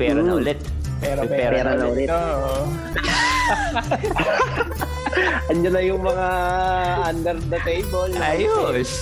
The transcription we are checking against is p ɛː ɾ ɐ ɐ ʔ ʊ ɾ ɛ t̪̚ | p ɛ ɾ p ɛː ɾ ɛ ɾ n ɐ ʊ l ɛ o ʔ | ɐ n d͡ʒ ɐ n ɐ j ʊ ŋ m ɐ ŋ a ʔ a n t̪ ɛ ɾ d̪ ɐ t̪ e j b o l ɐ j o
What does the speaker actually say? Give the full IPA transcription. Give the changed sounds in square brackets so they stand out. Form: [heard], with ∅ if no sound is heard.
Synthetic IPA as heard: p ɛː ɾ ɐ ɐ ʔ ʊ [l] ɛ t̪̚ | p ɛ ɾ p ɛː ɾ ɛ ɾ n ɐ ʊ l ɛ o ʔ | ɐ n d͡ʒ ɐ n ɐ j ʊ ŋ m ɐ ŋ a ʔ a n [d̪] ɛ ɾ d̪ ɐ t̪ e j b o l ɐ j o